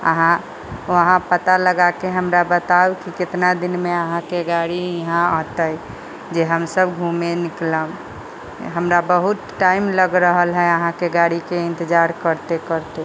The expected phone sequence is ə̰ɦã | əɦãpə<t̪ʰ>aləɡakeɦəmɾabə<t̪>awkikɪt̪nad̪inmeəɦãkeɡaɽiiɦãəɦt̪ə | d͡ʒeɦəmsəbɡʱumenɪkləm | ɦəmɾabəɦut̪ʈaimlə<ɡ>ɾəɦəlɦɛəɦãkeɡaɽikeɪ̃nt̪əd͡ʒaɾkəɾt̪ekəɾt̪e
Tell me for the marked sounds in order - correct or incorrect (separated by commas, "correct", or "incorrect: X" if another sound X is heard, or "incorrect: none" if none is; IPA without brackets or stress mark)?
incorrect: t̪, correct, correct